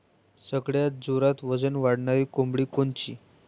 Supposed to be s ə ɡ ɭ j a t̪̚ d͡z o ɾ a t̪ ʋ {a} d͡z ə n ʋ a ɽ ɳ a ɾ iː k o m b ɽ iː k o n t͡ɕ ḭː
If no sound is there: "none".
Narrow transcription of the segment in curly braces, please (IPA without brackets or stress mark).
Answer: ə